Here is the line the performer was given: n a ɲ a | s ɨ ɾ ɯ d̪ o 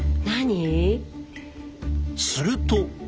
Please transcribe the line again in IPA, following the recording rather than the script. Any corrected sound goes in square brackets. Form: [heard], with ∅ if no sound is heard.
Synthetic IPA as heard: n a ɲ [i] | s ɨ ɾ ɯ [t̪] o